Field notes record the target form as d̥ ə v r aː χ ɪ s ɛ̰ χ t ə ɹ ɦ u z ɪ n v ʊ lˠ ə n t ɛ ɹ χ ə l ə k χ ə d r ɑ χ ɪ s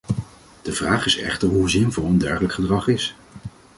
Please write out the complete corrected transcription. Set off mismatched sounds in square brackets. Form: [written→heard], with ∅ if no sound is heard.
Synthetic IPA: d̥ ə v r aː χ ɪ s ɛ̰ χ t ə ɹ ɦ u z ɪ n v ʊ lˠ ə n [t→d] ɛ ɹ χ ə l ə k χ ə d r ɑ χ ɪ s

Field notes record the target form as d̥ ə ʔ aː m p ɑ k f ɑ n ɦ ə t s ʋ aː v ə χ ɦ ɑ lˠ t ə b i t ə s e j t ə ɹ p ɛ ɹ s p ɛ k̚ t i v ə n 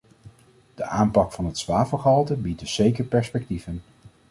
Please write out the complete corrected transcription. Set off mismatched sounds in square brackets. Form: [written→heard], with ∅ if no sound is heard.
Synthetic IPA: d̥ ə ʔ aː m p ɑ k f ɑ n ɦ ə t s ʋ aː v ə χ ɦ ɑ lˠ t ə b i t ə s e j [t→k] ə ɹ p ɛ ɹ s p ɛ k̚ t i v ə n

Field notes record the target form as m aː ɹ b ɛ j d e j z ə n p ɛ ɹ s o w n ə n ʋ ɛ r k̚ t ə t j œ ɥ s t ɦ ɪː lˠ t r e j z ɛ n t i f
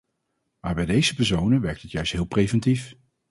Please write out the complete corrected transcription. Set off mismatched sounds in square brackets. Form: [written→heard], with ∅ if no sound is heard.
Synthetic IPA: m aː ɹ b ɛ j d e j z ə [n→∅] p ɛ ɹ s o w n ə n ʋ ɛ [r→ɹ] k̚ t ə t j œ ɥ s t ɦ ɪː lˠ [t→p] r e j [z→v] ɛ n t i f

